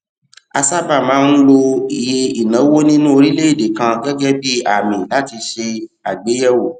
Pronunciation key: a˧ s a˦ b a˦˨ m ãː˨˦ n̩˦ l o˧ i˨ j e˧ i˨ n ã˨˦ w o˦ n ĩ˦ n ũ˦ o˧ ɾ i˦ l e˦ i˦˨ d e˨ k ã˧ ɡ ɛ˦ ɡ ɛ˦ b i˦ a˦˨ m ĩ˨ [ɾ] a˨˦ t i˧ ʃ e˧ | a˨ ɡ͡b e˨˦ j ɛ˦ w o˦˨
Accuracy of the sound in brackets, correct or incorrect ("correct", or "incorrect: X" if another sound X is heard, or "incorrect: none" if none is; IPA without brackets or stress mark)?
incorrect: l